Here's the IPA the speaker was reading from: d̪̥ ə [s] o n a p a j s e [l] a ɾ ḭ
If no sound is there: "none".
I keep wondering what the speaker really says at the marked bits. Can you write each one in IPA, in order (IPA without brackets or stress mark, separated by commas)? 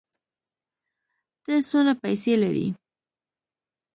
s, l